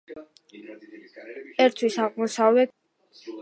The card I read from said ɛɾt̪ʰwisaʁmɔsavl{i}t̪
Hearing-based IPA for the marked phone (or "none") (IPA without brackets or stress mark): ɛ